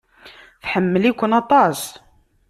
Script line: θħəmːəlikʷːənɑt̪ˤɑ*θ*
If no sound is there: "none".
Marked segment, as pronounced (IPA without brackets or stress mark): s